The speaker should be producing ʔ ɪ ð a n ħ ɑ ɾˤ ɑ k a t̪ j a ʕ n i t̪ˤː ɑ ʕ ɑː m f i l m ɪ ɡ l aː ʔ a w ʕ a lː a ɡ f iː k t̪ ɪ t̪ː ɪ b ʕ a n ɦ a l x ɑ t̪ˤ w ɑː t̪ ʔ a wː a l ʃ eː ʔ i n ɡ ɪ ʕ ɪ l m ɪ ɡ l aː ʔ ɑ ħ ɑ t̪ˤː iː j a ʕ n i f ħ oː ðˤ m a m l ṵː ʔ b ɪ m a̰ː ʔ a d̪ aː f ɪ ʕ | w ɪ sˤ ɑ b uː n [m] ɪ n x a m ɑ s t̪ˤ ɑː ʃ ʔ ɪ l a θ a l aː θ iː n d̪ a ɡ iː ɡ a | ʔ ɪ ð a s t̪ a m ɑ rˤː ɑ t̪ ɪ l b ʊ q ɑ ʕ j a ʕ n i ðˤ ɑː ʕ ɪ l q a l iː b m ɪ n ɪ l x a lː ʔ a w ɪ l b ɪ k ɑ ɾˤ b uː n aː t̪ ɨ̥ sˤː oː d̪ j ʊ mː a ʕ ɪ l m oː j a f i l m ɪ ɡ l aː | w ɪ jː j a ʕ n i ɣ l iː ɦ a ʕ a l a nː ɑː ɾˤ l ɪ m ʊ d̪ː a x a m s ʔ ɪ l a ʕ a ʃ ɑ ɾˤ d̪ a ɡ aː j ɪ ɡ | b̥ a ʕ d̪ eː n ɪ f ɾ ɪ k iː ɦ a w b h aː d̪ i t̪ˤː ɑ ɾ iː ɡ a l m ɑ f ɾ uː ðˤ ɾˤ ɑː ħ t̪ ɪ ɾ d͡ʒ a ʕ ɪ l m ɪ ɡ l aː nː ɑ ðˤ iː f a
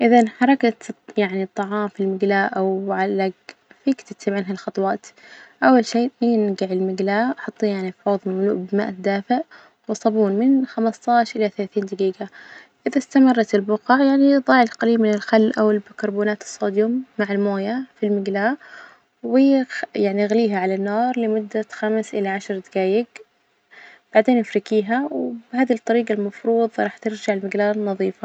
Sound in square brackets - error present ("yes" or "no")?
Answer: no